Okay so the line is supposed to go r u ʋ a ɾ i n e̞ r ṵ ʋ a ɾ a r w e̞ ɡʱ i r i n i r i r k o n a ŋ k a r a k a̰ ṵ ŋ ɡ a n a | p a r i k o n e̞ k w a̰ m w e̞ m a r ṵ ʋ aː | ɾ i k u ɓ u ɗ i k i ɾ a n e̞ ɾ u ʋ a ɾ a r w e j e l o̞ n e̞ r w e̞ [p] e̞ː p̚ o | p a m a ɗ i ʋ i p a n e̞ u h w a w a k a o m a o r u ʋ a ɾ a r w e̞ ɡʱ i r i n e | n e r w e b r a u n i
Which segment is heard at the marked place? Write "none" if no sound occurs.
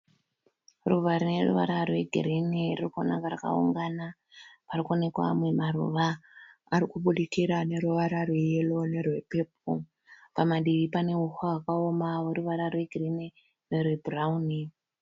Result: p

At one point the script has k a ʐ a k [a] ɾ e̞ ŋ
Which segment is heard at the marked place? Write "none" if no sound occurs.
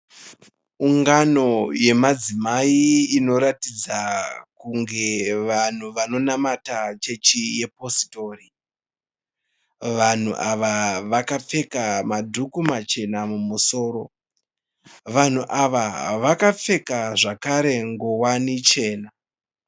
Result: a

